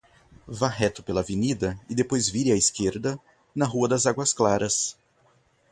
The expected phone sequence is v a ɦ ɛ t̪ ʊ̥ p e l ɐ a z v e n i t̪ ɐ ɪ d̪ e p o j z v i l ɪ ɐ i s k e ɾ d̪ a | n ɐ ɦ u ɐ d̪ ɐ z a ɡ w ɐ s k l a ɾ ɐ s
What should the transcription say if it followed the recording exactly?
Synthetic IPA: v a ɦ ɛ t̪ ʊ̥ p e l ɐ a v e n i d̪ ɐ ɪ d̪ e p o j z v i ɾ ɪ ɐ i s k e ɾ d̪ ɐ | n ɐ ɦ u ɐ d̪ ɐ z a ɡ w ɐ s k l a ɾ ɐ s